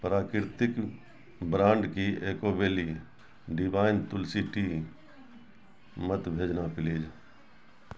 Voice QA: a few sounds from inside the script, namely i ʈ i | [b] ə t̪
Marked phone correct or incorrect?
incorrect